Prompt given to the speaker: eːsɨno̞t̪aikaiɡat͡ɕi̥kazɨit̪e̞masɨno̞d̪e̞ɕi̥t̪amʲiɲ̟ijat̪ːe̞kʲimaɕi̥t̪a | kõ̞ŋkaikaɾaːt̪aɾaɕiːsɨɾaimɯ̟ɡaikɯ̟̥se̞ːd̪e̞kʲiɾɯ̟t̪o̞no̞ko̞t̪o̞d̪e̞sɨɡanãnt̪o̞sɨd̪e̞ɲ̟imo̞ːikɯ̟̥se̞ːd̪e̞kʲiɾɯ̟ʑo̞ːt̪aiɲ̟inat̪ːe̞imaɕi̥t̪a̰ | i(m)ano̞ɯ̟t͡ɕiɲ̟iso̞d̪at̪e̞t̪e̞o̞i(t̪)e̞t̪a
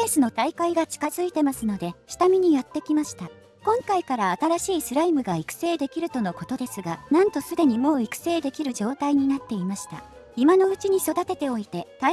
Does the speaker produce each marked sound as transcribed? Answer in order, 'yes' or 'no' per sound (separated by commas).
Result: yes, yes